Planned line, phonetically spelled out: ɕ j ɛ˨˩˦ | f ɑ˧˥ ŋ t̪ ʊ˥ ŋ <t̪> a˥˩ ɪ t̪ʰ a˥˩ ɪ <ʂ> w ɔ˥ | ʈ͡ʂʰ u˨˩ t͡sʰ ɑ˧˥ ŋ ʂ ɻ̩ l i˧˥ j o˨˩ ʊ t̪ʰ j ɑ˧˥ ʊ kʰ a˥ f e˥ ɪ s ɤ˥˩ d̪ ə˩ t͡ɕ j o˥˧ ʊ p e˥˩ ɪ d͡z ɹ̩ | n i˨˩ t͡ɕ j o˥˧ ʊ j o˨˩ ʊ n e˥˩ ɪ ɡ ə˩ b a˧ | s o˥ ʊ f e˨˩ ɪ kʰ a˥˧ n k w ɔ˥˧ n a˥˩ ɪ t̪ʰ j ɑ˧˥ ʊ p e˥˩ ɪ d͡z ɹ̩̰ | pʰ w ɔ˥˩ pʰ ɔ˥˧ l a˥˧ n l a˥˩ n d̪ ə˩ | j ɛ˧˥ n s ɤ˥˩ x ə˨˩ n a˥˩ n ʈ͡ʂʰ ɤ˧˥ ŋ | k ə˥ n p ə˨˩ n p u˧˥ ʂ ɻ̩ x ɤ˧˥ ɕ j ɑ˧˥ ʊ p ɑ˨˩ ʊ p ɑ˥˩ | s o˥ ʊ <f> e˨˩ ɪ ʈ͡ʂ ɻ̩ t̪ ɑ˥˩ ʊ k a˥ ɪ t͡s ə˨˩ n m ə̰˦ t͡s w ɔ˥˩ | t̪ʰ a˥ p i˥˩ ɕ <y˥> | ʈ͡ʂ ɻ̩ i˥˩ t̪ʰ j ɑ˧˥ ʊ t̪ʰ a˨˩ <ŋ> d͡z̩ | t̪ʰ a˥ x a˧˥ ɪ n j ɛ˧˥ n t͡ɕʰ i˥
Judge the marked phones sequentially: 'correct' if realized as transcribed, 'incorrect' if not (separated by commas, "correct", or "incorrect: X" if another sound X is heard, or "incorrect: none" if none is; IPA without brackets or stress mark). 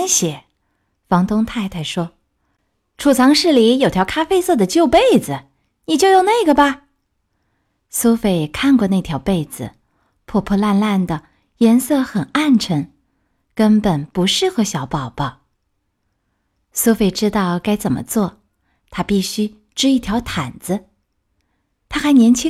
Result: incorrect: t̪ʰ, correct, correct, correct, incorrect: n